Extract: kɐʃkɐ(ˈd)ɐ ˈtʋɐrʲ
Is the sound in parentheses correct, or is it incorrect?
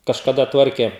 correct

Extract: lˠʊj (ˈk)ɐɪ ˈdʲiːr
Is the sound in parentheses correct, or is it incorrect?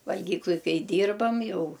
correct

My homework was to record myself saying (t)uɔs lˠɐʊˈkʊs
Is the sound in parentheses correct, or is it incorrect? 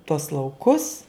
correct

